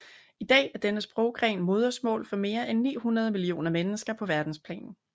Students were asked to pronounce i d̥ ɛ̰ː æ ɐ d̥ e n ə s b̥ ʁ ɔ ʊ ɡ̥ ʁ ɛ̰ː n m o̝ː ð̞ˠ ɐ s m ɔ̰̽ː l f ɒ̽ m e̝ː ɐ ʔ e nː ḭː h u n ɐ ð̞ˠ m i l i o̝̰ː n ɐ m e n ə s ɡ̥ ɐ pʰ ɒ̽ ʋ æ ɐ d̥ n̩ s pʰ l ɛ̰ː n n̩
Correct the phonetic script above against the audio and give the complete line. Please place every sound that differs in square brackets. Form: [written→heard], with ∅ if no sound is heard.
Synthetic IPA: i d̥ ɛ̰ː æ ɐ d̥ e n ə s b̥ ʁ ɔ ʊ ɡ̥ ʁ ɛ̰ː n m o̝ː ð̞ˠ ɐ s m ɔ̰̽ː l f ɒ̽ m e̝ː ɐ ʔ e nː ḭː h u n ɐ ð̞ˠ m i l i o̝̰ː n ɐ m e n ə s ɡ̥ ɐ pʰ ɒ̽ ʋ æ ɐ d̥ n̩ s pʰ l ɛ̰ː n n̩